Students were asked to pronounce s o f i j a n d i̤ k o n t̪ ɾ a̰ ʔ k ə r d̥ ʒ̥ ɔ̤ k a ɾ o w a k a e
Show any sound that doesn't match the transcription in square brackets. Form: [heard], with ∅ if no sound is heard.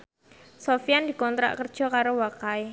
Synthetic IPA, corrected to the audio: s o f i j a n d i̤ k [ɔ] n t̪ ɾ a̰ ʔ k ə r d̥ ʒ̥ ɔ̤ k a ɾ o w a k a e